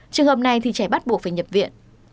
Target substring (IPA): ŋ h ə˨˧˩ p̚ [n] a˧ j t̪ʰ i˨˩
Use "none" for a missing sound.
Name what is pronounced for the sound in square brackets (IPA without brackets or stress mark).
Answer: n